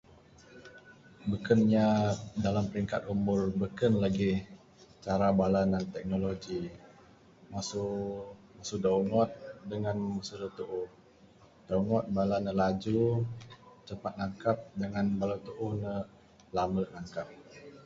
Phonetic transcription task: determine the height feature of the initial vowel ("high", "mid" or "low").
mid